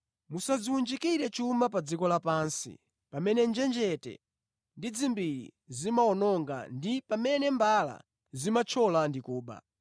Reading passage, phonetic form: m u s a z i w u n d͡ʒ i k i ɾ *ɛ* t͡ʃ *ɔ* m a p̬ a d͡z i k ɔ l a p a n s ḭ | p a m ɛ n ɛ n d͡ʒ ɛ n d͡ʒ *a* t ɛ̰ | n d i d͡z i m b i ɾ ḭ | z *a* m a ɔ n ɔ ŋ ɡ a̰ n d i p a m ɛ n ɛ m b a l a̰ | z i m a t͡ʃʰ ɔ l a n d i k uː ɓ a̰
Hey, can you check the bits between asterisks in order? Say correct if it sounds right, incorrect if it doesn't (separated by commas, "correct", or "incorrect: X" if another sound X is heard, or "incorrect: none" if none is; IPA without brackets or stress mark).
correct, incorrect: u, incorrect: ɛ, incorrect: i